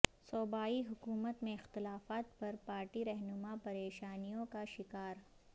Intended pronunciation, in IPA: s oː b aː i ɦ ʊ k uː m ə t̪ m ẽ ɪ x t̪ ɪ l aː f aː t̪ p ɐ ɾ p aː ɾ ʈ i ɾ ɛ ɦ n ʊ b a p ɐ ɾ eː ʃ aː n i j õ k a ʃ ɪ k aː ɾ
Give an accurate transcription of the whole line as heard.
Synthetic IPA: s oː b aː i ɦ ʊ k uː m ə t̪ m ẽ ɪ x t̪ ɪ l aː f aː t̪ p ɐ ɾ p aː ɾ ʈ i ɾ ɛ ɦ n ʊ m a p ɐ ɾ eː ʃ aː n i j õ k a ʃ ɪ k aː ɾ